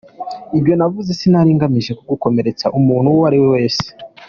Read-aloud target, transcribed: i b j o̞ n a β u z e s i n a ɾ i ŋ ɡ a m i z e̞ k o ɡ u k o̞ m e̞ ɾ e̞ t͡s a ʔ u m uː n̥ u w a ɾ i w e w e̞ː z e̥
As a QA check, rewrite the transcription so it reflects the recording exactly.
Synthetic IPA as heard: i b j o̞ n a v u z e s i n a ɾ i ŋ ɡ a m i ʒ e̞ k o ɡ u k o̞ m e̞ ɾ e̞ t͡s a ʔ u m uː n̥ u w a ɾ i w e w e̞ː s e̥

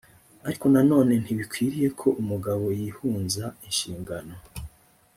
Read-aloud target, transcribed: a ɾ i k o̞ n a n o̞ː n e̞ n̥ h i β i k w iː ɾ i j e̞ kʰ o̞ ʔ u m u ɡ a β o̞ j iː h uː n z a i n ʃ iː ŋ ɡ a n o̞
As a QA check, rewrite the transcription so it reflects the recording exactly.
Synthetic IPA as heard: a ɾ i k o̞ n a n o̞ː n e̞ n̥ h i β i k w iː ɾ i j e̞ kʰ o̞ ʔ u m u ɡ a β o̞ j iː h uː n z a i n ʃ iː ŋ ɡ a n o̞

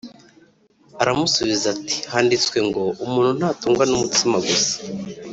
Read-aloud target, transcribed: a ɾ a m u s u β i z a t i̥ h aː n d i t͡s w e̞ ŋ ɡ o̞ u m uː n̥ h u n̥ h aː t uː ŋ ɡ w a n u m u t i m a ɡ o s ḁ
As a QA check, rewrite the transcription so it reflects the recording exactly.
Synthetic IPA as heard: a ɾ a m u s u β i z a t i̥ h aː n d i t͡s w e̞ ŋ ɡ o̞ u m uː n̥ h u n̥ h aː t uː ŋ ɡ w a n u m u t i m a ɡ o s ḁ

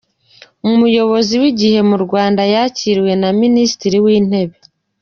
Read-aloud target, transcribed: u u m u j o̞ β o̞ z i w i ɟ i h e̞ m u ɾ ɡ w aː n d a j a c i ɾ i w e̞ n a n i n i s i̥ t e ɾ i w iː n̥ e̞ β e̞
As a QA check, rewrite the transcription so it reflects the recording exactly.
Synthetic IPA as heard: u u m u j o̞ β o̞ z i w i ɟ i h e̞ m u ɾ ɡ w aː n d a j a c i ɾ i w e̞ n a m i n i s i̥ t i ɾ i w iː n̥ e̞ β e̞

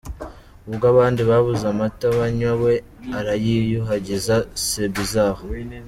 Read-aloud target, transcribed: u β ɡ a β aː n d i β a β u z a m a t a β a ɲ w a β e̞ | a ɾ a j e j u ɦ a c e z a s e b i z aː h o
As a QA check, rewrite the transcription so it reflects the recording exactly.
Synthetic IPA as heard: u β ɡ a β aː n d i β a β u z a m a t a β a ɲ w a w e̞ | a ɾ a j i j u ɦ a ɟ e z a s e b i z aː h o

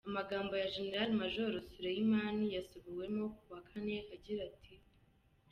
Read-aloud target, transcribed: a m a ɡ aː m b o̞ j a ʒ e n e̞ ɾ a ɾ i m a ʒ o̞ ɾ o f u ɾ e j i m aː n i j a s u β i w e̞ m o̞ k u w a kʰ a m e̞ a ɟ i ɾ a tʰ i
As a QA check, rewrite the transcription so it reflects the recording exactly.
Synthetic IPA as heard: a m a ɡ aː m b o̞ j a ʒ e n e̞ ɾ a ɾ i m a ʒ o̞ ɾ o s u ɾ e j i m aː n i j a s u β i w e̞ m o̞ k u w a kʰ a n e̞ a ɟ i ɾ a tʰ i

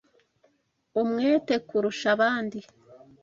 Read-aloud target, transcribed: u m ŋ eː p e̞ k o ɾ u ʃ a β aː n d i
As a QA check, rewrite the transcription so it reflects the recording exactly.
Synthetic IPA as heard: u m ŋ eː t e̞ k u ɾ u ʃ a β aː n d i

